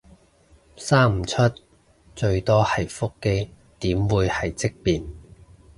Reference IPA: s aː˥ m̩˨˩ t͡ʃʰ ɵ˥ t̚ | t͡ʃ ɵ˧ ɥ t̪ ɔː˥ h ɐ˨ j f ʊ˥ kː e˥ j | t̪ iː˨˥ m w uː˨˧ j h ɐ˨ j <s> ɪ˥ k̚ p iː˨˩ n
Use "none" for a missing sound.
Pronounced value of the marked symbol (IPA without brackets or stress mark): t͡s